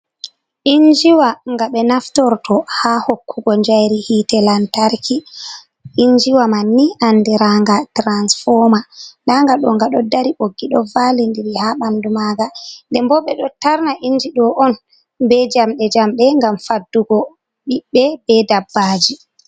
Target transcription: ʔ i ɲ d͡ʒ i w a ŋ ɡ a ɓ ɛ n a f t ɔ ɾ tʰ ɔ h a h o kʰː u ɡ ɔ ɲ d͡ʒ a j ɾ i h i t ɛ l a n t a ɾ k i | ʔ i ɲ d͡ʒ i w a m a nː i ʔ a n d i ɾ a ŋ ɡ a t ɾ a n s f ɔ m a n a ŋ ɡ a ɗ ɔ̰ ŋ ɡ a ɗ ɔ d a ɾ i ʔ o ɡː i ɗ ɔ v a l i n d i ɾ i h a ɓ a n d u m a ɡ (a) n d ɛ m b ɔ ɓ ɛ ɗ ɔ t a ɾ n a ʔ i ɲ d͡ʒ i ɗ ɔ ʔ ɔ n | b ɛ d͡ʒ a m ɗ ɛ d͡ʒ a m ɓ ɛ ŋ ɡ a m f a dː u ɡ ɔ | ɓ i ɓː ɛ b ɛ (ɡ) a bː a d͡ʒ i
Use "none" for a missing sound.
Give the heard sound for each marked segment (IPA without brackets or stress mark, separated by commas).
a, d